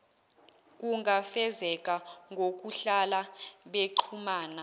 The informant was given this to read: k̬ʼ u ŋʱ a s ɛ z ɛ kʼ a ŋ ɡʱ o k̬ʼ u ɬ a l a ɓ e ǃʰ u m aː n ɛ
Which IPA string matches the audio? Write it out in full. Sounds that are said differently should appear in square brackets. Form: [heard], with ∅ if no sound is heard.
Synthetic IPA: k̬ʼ u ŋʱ a [f] ɛ z ɛ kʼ a ŋ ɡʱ o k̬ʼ u ɬ a l a ɓ e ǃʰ u m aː n [a]